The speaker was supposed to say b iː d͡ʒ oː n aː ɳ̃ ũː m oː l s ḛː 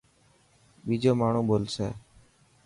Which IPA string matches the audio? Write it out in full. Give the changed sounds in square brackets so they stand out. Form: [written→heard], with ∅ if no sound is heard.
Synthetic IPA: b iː d͡ʒ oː [n→m] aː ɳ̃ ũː [m→b] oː l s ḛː